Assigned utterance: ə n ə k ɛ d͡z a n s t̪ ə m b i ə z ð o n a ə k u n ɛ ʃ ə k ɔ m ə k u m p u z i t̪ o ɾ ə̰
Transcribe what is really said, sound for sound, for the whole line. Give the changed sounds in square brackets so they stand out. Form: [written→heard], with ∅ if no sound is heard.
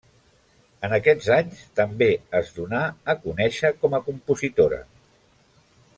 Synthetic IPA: ə n ə k ɛ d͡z a [n→ɲ] s t̪ ə m b [i→e] ə z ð [o→u] n a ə k u n ɛ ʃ ə k ɔ m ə k u m p u z i t̪ o ɾ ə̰